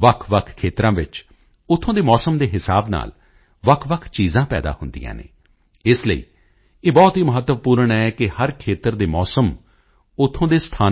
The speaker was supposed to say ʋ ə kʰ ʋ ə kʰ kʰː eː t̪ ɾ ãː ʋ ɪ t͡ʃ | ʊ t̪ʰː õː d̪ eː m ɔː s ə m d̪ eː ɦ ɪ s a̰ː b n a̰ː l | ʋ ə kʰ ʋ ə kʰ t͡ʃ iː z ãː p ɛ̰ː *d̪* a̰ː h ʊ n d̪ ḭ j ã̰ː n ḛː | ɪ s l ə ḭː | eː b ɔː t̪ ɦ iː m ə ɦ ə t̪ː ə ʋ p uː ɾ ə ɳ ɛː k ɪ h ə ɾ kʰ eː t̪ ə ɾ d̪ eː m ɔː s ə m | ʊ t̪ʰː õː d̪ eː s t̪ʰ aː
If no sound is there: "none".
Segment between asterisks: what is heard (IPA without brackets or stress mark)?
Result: d̪